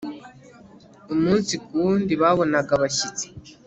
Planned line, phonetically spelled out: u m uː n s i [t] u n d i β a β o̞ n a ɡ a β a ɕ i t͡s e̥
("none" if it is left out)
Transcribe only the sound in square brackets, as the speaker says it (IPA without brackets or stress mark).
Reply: k